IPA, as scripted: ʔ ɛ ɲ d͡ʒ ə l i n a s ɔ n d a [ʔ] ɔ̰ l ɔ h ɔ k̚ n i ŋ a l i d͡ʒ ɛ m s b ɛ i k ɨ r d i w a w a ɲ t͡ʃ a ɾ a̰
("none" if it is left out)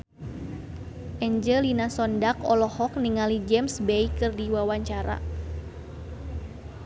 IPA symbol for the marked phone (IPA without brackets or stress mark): k